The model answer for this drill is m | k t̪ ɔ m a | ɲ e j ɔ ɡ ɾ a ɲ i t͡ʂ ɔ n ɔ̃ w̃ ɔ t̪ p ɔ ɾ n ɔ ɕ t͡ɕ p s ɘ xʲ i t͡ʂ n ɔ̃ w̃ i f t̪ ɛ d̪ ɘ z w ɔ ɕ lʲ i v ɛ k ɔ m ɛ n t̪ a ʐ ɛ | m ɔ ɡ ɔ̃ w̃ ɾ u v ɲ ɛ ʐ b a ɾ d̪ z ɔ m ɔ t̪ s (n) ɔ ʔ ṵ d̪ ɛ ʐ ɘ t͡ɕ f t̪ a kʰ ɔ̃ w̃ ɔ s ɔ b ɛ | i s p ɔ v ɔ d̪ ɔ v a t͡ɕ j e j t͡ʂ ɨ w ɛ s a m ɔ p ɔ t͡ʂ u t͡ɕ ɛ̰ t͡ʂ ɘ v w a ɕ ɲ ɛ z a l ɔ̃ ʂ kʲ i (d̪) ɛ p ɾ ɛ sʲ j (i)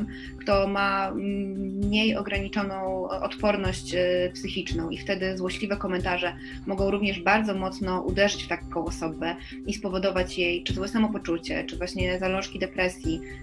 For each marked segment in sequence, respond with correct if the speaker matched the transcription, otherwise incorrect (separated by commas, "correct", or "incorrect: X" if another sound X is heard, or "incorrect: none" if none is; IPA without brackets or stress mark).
correct, correct, correct